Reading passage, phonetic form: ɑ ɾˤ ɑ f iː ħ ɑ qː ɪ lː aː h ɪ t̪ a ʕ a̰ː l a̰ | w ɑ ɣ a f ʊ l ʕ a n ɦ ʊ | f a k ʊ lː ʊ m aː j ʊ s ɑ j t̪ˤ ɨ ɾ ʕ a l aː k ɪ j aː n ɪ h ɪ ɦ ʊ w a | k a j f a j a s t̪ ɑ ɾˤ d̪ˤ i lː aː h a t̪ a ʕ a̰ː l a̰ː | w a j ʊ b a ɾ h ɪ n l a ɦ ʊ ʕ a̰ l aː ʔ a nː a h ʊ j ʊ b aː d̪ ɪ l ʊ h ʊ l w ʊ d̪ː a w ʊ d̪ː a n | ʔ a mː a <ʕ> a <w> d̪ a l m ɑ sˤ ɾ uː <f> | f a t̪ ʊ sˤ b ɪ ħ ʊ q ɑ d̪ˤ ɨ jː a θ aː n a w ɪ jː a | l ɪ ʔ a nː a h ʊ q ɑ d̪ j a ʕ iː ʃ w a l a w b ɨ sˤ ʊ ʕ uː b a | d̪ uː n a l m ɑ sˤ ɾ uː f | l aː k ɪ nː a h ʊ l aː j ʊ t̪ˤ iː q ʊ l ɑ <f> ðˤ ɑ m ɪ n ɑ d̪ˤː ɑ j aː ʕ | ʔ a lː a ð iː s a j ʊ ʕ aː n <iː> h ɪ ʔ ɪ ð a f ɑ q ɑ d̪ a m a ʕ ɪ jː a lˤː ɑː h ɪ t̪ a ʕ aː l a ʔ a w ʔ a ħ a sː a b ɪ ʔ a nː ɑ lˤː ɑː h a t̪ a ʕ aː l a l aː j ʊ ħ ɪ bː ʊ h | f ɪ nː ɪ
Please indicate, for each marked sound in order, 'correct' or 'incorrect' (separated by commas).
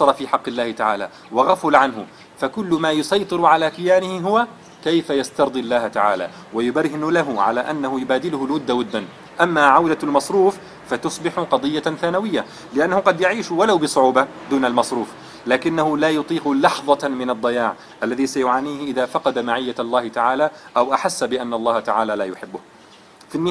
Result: correct, correct, correct, incorrect, correct